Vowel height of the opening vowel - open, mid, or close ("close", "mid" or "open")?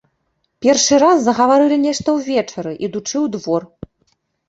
mid